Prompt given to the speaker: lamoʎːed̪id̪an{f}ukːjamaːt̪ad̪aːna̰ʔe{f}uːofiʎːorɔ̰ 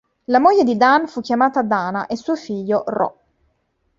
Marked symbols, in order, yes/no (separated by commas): yes, no